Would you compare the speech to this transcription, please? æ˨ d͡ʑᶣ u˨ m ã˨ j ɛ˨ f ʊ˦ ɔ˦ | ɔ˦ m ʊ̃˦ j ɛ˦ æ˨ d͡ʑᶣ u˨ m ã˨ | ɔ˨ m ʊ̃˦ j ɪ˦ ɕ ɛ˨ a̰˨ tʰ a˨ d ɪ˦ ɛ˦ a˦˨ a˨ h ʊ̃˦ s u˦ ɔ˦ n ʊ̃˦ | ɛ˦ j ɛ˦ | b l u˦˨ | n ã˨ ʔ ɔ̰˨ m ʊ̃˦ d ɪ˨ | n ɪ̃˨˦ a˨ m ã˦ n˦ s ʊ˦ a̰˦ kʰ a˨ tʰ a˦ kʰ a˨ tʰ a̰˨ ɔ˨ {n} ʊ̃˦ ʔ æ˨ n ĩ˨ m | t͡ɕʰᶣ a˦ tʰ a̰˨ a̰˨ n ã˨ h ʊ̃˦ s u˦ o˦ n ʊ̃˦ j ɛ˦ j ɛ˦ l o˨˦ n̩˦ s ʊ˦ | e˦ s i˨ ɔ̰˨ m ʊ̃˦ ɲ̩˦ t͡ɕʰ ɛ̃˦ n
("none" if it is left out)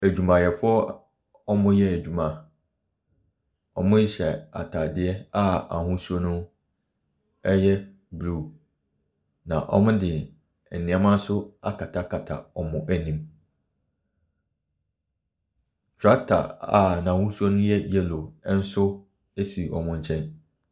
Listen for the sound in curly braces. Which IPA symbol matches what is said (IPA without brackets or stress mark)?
m